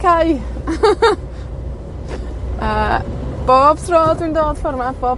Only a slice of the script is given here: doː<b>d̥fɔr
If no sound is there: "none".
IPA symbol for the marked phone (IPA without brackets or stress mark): none